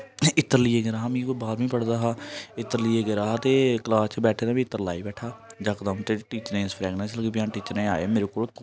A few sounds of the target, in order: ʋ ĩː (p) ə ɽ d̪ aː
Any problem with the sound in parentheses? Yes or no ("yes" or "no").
no